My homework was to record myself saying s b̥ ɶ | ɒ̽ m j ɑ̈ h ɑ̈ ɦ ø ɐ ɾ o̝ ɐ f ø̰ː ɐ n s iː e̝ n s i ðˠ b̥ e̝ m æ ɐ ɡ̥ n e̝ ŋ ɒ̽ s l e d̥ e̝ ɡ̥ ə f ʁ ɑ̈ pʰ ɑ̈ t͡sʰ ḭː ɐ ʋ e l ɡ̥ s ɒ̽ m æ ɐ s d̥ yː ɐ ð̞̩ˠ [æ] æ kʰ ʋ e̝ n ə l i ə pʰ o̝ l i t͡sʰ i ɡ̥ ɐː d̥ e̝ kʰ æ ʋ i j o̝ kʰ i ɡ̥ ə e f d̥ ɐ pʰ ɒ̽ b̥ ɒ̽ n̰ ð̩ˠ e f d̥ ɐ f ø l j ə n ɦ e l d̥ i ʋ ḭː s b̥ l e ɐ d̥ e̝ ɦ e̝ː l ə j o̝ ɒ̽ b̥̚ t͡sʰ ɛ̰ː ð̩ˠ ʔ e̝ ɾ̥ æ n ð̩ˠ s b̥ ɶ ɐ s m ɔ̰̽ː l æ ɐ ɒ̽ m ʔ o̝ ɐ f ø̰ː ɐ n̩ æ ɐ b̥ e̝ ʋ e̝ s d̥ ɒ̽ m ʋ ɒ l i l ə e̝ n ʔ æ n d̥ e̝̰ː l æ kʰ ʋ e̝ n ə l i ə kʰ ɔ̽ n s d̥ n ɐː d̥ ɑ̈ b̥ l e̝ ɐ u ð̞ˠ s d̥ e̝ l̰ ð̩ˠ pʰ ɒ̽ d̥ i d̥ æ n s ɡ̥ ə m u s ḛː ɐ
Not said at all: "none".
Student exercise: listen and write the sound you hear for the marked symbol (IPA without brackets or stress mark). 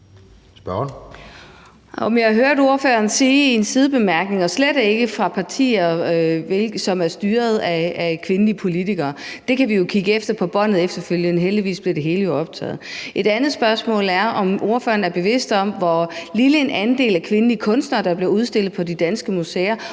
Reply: æ